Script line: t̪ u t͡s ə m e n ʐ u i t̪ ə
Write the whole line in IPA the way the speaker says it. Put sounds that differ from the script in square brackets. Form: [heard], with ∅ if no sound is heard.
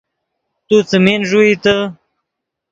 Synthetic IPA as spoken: t̪ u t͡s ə m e n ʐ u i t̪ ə

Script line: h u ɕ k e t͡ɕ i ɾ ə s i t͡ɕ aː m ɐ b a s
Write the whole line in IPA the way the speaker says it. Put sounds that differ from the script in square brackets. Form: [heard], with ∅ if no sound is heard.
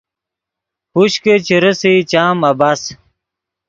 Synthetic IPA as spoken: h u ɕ k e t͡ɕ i ɾ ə s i t͡ɕ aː m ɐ b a s

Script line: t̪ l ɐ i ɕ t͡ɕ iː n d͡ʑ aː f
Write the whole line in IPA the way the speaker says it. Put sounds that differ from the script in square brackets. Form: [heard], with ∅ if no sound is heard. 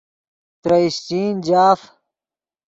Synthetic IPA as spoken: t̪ [ɾ] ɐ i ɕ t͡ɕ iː n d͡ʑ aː f

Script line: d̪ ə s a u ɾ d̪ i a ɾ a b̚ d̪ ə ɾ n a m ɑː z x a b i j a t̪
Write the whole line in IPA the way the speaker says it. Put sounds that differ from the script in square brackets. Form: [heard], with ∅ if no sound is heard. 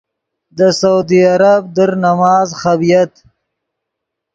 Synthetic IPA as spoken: d̪ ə s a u [∅] d̪ i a ɾ a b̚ d̪ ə ɾ n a m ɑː z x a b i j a t̪

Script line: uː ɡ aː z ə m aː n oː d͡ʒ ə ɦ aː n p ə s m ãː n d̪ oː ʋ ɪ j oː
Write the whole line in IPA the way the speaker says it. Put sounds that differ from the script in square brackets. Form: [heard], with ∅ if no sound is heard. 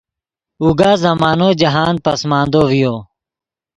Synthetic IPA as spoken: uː ɡ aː z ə m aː n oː d͡ʒ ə ɦ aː n p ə s m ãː n d̪ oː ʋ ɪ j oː

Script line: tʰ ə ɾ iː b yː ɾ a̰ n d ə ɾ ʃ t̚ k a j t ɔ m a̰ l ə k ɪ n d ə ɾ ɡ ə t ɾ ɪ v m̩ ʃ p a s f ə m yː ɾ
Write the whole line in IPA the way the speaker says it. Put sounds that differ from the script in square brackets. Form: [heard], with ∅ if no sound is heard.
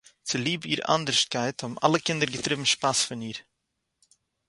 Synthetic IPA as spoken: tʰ ə [l] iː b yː ɾ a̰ n d ə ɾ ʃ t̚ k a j t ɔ m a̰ l ə k ɪ n d ə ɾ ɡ ə t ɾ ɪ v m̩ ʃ p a s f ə [n] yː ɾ

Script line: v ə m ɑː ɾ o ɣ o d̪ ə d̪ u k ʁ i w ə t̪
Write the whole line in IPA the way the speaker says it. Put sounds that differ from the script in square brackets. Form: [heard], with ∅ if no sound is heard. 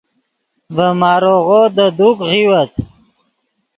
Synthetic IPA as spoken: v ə m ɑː ɾ o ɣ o d̪ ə d̪ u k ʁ i w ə t̪

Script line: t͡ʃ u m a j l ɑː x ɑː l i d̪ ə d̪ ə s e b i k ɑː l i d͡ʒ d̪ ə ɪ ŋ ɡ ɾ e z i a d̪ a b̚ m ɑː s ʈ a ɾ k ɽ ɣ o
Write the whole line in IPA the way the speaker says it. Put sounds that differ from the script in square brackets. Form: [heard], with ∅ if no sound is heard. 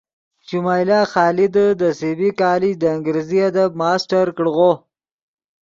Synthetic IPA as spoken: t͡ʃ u m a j l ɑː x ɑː l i d̪ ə d̪ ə s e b i k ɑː l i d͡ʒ d̪ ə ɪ ŋ ɡ ɾ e z i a d̪ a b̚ m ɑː s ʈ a ɾ k ɽ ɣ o

